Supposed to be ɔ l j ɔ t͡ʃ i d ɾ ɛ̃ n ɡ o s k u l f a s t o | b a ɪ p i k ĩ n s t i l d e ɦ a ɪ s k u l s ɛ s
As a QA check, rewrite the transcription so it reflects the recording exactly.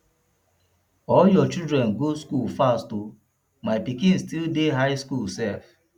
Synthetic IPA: ɔ l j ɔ t͡ʃ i d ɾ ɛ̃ n ɡ o s k u l f a s t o | m a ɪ p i k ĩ n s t i l d e ɦ a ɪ s k u l s ɛ f